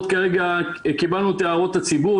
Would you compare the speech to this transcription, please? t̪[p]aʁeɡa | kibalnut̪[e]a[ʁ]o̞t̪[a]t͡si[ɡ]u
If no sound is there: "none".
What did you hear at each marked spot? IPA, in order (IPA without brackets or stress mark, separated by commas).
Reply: k, e, ʁ, a, b